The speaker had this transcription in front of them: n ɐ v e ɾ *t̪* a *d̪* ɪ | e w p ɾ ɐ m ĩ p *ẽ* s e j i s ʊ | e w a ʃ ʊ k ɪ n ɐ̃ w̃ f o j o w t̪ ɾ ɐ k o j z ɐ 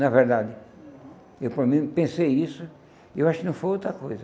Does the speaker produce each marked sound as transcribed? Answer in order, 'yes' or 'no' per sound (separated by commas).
no, yes, yes